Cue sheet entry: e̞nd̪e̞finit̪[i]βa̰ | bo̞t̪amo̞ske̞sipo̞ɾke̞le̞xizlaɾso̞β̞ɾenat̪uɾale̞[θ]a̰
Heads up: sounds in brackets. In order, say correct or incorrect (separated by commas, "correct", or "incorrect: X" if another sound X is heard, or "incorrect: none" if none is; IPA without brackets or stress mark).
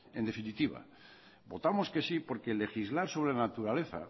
correct, correct